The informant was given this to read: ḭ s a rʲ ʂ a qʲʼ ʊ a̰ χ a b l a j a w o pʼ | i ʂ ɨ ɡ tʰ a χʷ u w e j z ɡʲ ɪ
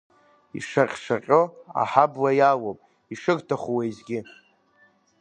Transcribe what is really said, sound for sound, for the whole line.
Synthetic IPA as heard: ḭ ʂ a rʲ ʂ a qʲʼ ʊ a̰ ħ a b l a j a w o pʼ | i ʂ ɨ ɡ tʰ a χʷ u w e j z ɡʲ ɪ